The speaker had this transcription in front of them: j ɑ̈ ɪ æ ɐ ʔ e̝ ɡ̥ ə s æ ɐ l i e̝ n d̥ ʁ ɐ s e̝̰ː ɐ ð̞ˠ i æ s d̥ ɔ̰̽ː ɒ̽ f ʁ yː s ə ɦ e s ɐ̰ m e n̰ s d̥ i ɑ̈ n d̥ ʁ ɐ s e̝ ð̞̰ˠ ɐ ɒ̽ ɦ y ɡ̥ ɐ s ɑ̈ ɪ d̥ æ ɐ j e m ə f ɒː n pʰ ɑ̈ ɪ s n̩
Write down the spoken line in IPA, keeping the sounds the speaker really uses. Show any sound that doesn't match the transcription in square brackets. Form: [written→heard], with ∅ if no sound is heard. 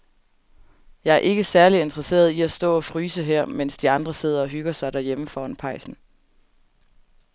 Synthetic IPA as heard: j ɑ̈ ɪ æ ɐ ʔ e̝ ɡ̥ ə s æ ɐ l i e̝ n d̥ ʁ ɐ s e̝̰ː ɐ ð̞ˠ i æ s d̥ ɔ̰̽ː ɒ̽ f ʁ yː s ə ɦ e [s→∅] ɐ̰ m e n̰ s d̥ i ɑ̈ n d̥ ʁ ɐ s e̝ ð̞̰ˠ ɐ ɒ̽ ɦ y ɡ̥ ɐ s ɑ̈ ɪ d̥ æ ɐ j e m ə f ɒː n pʰ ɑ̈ ɪ s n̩